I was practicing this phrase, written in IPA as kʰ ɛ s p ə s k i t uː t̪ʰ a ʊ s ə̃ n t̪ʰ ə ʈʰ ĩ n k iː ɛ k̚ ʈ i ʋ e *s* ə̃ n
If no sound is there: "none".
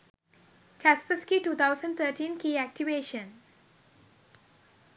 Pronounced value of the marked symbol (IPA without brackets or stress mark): ʃ